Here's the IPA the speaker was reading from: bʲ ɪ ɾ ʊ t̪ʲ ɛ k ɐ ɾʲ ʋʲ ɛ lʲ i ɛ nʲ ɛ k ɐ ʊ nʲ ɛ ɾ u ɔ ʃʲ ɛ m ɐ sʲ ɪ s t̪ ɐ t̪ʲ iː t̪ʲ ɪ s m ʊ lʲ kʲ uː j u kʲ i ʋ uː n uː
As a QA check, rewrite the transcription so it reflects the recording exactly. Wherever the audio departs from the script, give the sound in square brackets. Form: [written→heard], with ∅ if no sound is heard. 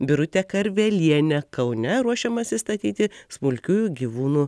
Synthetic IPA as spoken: bʲ ɪ ɾ ʊ t̪ʲ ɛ k ɐ ɾʲ ʋʲ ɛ lʲ i ɛ nʲ ɛ k ɐ ʊ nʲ ɛ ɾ u ɔ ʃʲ ɛ m ɐ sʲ ɪ s t̪ ɐ t̪ʲ iː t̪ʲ ɪ s m ʊ lʲ kʲ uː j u [kʲ→ɡʲ] i ʋ uː n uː

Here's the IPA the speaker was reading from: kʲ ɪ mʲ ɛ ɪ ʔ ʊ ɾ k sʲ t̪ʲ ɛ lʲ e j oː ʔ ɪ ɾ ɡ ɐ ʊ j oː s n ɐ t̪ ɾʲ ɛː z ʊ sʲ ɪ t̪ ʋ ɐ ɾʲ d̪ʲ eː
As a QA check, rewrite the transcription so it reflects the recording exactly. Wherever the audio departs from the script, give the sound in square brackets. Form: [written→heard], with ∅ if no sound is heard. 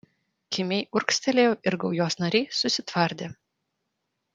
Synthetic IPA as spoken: kʲ ɪ mʲ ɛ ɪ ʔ ʊ ɾ k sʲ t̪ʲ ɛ lʲ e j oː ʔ ɪ ɾ ɡ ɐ ʊ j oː s n ɐ [t̪→∅] ɾʲ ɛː [z→s] ʊ sʲ ɪ t̪ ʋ ɐ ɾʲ d̪ʲ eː

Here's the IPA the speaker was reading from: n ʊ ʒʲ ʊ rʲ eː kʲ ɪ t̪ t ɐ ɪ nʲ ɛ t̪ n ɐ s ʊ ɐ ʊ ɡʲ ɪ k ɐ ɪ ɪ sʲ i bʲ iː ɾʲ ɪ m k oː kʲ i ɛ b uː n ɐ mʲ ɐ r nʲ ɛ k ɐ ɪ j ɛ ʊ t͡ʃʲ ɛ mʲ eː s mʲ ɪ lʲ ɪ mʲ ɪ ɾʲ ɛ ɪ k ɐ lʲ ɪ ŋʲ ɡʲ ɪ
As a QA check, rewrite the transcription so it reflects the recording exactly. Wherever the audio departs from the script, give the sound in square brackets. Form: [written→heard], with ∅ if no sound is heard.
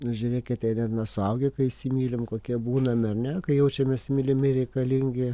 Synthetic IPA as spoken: n ʊ ʒʲ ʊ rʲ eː kʲ ɪ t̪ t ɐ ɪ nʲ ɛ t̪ n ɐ s ʊ ɐ ʊ ɡʲ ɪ k ɐ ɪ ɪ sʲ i [bʲ→mʲ] iː [ɾʲ→lʲ] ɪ m k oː kʲ i ɛ b uː n ɐ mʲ ɐ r nʲ ɛ k ɐ ɪ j ɛ ʊ t͡ʃʲ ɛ mʲ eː s mʲ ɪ lʲ ɪ mʲ ɪ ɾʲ ɛ ɪ k ɐ lʲ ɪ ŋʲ ɡʲ ɪ

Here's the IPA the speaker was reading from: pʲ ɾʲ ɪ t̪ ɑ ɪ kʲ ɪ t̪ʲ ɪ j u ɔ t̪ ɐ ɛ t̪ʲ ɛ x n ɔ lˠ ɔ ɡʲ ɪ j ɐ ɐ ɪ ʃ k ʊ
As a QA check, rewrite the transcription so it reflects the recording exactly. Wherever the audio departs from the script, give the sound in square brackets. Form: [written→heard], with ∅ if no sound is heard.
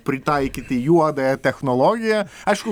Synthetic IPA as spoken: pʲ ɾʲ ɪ t̪ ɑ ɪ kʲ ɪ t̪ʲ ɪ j u ɔ [t̪→d̪] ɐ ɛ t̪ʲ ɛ x n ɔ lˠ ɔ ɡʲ ɪ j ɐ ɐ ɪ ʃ k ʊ

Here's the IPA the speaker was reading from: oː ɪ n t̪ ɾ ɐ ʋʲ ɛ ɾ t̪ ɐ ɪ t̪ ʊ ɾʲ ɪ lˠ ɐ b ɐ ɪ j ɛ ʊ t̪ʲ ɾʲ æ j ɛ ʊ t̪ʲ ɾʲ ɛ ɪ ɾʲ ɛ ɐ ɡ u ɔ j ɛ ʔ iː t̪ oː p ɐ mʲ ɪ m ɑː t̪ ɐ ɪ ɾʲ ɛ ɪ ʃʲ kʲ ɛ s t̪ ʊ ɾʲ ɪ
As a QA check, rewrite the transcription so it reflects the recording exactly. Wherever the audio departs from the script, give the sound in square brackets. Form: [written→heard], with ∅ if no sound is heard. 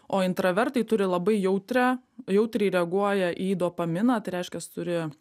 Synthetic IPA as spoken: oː ɪ n t̪ ɾ ɐ ʋʲ ɛ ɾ t̪ ɐ ɪ t̪ ʊ ɾʲ ɪ lˠ ɐ b ɐ ɪ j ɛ ʊ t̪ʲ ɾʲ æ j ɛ ʊ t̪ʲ ɾʲ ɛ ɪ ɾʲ ɛ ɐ ɡ u ɔ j ɛ ʔ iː [t̪→d̪] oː p ɐ mʲ ɪ [m→n] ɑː t̪ ɐ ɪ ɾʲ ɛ ɪ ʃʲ kʲ ɛ s t̪ ʊ ɾʲ ɪ

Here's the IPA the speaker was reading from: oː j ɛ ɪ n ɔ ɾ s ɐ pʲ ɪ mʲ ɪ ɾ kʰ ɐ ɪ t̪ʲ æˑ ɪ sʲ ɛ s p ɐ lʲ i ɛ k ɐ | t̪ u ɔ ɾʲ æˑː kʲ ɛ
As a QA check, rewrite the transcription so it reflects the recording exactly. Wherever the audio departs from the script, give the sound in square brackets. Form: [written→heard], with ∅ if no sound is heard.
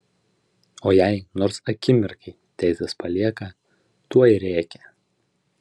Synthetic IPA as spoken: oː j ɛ ɪ n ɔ ɾ s ɐ [pʲ→kʲ] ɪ mʲ ɪ ɾ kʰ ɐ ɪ t̪ʲ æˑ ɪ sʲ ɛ s p ɐ lʲ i ɛ k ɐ | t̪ u ɔ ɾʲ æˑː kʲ ɛ

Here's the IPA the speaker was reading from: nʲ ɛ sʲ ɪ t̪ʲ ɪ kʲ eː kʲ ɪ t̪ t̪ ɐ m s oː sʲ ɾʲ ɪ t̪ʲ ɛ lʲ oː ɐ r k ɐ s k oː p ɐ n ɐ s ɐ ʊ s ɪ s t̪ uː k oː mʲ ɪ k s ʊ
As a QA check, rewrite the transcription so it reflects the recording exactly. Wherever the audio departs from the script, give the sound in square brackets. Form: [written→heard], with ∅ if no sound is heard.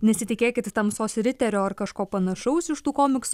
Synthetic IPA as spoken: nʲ ɛ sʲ ɪ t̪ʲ ɪ kʲ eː kʲ ɪ t̪ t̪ ɐ m s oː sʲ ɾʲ ɪ t̪ʲ ɛ [lʲ→ɾʲ] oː ɐ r k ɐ [s→ʃ] k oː p ɐ n ɐ [s→ʃ] ɐ ʊ s ɪ [s→ʃ] t̪ uː k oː mʲ ɪ k s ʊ

